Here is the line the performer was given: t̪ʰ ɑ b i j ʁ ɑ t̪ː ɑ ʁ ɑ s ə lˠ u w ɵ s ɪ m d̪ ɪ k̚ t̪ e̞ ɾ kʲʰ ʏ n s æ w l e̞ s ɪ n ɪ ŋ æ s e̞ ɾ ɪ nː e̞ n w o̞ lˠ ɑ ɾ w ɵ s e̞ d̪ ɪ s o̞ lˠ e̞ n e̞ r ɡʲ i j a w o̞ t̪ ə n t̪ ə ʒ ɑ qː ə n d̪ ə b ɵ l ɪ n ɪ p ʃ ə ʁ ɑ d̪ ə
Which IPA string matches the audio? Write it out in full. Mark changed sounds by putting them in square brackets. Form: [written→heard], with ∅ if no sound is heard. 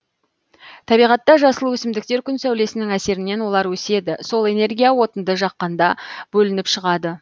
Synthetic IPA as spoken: t̪ʰ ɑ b i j ʁ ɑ t̪ː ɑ [ʁ→ʒ] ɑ s ə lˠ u w ɵ s ɪ m d̪ ɪ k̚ t̪ e̞ ɾ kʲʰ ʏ n s æ w l e̞ s ɪ n ɪ ŋ æ s e̞ ɾ ɪ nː e̞ n w o̞ lˠ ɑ ɾ w ɵ s e̞ d̪ ɪ s o̞ lˠ e̞ n e̞ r ɡʲ i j a w o̞ t̪ ə n [t̪→d̪] ə ʒ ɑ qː [ə→ɑ] n d̪ [ə→ɑ] b ɵ l ɪ n ɪ p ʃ ə ʁ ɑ d̪ ə